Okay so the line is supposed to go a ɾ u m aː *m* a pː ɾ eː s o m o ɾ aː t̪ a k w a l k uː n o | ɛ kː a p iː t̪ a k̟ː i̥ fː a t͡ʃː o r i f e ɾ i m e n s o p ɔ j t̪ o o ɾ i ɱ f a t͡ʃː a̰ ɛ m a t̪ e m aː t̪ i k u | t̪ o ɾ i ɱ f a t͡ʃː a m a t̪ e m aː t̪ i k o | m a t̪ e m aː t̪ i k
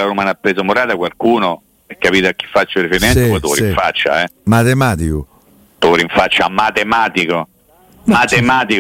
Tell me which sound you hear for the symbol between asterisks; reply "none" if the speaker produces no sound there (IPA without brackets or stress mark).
n